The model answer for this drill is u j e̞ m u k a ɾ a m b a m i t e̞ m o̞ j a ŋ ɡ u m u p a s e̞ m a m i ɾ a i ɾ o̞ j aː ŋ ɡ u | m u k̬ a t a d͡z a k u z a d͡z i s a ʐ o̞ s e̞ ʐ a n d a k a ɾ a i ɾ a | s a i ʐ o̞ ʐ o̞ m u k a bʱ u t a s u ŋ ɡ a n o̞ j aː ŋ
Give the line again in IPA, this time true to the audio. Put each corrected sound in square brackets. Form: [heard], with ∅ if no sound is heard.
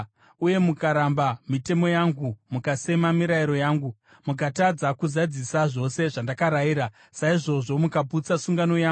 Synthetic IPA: u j e̞ m u k a ɾ a m b a m i t e̞ m o̞ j a ŋ ɡ u m u [k] a s e̞ m a m i ɾ a i ɾ o̞ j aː ŋ ɡ u | m u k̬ a t a d͡z a k u z a d͡z i s a ʐ o̞ s e̞ ʐ a n d a k a ɾ a i ɾ a | s a i ʐ o̞ ʐ o̞ m u k a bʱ u [t͡s] a s u ŋ ɡ a n o̞ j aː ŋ